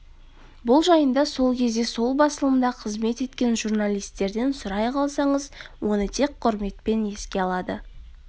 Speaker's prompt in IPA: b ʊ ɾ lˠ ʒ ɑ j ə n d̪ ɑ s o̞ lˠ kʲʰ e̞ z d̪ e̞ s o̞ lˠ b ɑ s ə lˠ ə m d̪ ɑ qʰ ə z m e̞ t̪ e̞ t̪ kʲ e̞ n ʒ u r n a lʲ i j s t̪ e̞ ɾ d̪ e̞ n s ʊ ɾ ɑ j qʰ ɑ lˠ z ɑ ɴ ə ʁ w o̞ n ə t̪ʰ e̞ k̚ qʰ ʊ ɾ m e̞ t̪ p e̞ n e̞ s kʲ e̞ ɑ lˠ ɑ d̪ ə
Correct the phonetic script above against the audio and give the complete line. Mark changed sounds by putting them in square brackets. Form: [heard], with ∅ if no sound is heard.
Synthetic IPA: b ʊ [∅] lˠ ʒ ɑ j ə n d̪ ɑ s o̞ lˠ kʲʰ e̞ z d̪ e̞ s o̞ lˠ b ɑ s ə lˠ ə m d̪ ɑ qʰ ə z m e̞ t̪ e̞ t̪ kʲ e̞ n ʒ u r n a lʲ i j s t̪ e̞ ɾ d̪ e̞ n s ʊ ɾ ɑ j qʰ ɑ lˠ [s] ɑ ɴ ə [z] w o̞ n ə t̪ʰ e̞ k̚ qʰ ʊ ɾ m e̞ t̪ p e̞ n e̞ s kʲ e̞ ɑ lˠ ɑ d̪ ə